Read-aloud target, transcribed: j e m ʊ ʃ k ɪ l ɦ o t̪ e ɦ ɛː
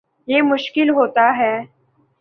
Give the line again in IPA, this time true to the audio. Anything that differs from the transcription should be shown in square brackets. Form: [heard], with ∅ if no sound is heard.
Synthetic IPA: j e m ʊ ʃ k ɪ l ɦ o t̪ [a] ɦ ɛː